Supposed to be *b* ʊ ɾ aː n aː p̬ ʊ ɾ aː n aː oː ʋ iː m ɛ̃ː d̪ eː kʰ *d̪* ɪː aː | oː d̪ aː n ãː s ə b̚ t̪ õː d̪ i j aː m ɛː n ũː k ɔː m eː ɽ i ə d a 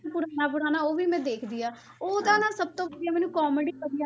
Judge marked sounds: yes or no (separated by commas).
no, yes